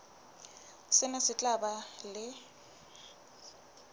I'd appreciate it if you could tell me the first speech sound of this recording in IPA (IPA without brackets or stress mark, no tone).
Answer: s